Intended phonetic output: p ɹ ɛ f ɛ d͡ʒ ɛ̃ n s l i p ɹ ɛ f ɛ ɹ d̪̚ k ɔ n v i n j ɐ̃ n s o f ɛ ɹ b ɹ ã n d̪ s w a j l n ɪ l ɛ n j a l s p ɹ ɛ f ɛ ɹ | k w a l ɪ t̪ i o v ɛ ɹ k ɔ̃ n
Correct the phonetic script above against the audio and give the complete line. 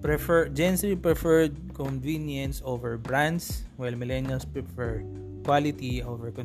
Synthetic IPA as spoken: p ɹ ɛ f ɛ d͡ʒ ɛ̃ n s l i p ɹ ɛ f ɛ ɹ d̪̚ k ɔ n v i n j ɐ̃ n s o v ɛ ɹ b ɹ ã n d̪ s w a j l m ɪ l ɛ n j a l s p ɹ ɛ f ɛ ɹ | k w a l ɪ t̪ i o v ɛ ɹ k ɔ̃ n